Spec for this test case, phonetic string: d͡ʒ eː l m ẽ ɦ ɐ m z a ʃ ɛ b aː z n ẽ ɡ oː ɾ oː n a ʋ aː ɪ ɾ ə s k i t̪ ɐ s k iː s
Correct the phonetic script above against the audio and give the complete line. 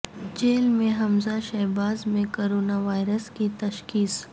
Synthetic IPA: d͡ʒ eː l m ẽ ɦ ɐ m z a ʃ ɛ b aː z m ẽ k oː ɾ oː n a ʋ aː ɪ ɾ ə s k i t̪ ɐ ʃ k iː s

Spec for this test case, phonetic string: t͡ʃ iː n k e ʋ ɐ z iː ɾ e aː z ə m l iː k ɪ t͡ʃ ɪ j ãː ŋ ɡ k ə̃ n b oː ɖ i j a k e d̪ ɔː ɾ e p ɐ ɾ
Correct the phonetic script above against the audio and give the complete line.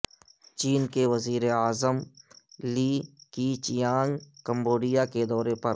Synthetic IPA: t͡ʃ iː n k e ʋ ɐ z iː ɾ e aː z ə m l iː k i t͡ʃ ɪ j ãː ŋ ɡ k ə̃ m b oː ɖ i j a k e d̪ ɔː ɾ e p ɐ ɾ

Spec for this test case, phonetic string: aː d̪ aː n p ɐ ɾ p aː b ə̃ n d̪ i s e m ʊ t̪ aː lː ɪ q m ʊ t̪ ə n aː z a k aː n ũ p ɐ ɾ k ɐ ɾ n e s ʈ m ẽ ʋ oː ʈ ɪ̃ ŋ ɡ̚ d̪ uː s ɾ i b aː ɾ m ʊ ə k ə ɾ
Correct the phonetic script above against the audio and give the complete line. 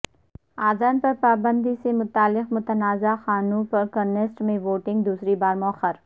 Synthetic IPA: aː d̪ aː n p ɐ ɾ p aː b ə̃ n d̪ i s e m ʊ t̪ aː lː ɪ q m ʊ t̪ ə n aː z a x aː n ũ p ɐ ɾ k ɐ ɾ n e s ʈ m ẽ ʋ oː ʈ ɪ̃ ŋ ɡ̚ d̪ uː s ɾ i b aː ɾ m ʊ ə x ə ɾ

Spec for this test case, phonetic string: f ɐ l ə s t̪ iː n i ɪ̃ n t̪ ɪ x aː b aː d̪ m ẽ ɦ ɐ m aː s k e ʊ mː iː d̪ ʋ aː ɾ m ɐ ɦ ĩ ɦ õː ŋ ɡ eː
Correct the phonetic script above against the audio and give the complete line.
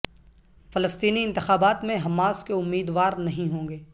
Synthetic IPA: f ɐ l ə s t̪ iː n i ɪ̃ n t̪ ɪ x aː b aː t̪ m ẽ ɦ ɐ m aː s k e ʊ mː iː d̪ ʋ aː ɾ n ɐ ɦ ĩ ɦ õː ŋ ɡ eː

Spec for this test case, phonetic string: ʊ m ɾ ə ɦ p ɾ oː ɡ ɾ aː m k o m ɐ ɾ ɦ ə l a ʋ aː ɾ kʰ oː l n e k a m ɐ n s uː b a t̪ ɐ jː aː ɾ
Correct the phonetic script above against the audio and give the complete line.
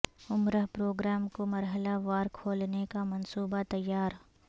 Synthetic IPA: ʊ m ɾ ə ɦ p ɾ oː ɡ ɾ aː m k o m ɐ ɾ ɦ ə l a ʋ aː ɾ kʰ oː l n e k a m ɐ n s uː b a t̪ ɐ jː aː ɾ

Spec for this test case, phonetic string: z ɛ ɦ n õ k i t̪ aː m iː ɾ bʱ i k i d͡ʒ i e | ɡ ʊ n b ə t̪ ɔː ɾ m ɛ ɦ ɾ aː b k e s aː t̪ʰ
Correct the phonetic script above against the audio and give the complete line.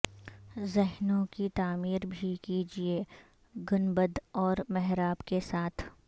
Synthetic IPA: z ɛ ɦ n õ k i t̪ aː m iː ɾ bʱ i k i d͡ʒ i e | ɡ ʊ n b ə d̪ ɔː ɾ m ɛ ɦ ɾ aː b k e s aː t̪ʰ

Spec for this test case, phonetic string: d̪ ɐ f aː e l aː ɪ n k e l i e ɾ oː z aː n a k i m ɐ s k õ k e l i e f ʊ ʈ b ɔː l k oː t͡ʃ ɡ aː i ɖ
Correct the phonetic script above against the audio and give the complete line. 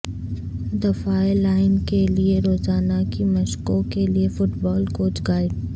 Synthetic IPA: d̪ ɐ f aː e l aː ɪ n k e l i e ɾ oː z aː n a k i m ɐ ʃ k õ k e l i e f ʊ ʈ b ɔː l k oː t͡ʃ ɡ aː ɪ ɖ

